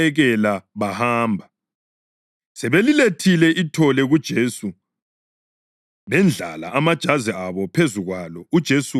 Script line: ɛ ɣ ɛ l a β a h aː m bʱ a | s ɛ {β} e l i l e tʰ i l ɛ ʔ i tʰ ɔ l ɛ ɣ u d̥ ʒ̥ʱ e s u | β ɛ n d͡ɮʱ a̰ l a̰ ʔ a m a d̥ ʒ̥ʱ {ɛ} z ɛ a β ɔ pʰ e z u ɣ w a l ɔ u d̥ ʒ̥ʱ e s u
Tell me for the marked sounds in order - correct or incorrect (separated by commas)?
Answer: correct, incorrect